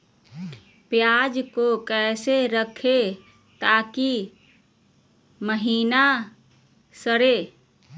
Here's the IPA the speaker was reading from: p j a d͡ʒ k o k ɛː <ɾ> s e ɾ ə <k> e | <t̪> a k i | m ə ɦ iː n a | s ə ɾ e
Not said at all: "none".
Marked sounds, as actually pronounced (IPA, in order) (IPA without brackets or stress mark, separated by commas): none, kʰ, t̪